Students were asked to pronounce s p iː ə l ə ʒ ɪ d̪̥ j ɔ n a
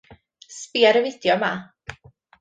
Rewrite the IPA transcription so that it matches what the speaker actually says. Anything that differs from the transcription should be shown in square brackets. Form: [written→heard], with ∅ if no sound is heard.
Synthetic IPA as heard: s p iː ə [l→ɾ] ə [ʒ→v] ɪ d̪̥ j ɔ [n→m] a